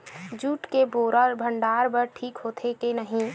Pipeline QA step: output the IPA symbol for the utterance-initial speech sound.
d͡ʒ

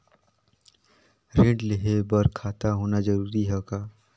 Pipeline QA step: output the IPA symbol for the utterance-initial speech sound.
ɾ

